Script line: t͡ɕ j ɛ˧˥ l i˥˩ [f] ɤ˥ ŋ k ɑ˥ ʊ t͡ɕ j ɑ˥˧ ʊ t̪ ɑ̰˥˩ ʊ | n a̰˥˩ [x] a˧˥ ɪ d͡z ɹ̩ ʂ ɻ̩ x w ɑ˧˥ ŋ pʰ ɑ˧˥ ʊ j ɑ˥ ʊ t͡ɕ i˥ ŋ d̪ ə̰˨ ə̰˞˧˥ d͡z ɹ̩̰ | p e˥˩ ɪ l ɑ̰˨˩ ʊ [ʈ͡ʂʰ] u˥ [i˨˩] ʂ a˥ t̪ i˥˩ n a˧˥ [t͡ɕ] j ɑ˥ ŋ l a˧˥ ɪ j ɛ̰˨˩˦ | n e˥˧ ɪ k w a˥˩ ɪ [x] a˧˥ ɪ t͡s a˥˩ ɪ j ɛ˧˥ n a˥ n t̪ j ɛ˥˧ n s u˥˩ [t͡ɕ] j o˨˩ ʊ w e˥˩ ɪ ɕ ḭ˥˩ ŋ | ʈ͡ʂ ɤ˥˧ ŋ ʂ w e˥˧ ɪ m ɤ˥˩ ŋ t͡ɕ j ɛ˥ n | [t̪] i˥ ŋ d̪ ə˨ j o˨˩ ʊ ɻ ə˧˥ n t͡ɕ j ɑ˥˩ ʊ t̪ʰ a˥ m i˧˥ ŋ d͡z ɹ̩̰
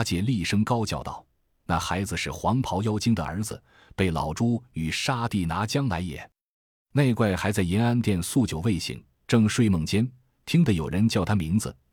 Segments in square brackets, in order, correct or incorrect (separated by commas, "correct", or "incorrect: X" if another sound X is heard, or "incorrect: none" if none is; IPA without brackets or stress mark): incorrect: ʂ, correct, incorrect: ʈ͡ʂ, incorrect: y˨˩, correct, correct, correct, incorrect: t̪ʰ